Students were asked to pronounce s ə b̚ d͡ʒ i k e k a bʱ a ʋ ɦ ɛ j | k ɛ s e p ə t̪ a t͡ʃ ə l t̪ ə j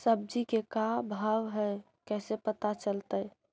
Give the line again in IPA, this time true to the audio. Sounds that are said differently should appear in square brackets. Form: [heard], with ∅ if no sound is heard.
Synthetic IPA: s ə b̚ d͡ʒ i k e k a bʱ a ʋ ɦ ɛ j | k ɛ s e p ə t̪ a t͡ʃ ə l t̪ ə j